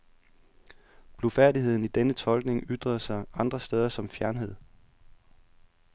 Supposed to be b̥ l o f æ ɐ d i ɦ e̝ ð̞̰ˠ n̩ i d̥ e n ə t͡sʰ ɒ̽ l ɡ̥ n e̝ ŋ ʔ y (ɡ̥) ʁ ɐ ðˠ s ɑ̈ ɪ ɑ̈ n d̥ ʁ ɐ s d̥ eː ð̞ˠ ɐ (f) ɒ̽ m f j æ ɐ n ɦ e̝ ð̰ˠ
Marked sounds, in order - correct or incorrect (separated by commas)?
incorrect, incorrect